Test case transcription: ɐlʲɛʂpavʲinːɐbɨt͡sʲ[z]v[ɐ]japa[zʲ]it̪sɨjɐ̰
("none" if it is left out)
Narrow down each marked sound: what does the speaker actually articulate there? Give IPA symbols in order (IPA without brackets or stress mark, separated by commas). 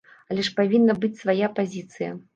s, a, zʲ